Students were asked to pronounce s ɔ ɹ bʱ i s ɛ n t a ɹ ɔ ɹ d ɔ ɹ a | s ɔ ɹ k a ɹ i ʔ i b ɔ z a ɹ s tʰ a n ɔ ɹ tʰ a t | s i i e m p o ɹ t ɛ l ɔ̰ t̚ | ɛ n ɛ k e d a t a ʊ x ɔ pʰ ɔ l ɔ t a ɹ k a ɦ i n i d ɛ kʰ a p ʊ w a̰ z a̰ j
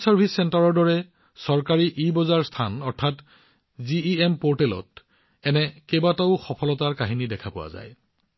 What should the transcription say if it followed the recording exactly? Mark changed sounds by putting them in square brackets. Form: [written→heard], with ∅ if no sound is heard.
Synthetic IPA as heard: s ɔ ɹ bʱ i s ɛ n t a ɹ ɔ ɹ d ɔ ɹ [a→ɛ] | s ɔ ɹ k a ɹ i ʔ i b ɔ z a ɹ s tʰ a n ɔ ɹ tʰ a t | [s→z] i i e m p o ɹ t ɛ l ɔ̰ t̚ | ɛ n ɛ k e [d→b] a t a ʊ x ɔ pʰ ɔ l ɔ t a ɹ k a ɦ i n i d ɛ kʰ a p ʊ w a̰ z a̰ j